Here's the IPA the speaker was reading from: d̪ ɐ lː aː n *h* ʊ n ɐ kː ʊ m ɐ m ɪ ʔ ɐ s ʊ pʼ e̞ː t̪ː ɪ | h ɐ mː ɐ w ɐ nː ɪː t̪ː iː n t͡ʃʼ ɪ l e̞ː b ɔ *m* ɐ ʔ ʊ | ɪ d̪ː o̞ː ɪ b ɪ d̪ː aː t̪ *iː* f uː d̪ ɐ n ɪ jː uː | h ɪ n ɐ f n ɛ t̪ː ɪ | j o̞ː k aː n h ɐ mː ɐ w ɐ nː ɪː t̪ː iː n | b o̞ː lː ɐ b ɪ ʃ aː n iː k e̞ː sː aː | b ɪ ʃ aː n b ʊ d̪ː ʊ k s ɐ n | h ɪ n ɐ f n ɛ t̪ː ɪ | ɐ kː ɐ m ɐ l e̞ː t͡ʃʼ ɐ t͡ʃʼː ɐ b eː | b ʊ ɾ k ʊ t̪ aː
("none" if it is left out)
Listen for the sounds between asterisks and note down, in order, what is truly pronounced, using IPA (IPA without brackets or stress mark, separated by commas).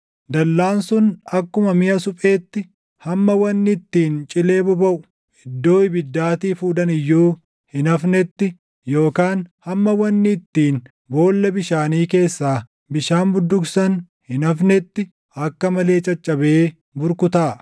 s, b, iː